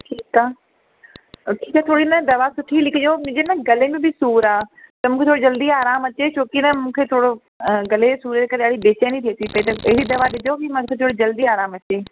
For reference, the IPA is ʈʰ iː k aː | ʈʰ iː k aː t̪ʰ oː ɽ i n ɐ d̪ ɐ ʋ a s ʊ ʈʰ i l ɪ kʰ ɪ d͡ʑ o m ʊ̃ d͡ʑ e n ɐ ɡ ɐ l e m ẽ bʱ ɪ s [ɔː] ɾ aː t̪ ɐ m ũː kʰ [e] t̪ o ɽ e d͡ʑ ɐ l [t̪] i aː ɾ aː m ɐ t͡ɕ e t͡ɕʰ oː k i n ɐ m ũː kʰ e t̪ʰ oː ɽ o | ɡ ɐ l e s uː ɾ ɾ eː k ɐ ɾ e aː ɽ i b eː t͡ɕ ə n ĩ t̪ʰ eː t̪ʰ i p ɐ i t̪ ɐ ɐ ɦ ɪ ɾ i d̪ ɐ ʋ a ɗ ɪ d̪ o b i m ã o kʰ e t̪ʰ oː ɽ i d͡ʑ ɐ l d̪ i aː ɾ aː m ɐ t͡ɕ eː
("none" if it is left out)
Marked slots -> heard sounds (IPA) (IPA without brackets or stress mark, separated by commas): uː, e, d̪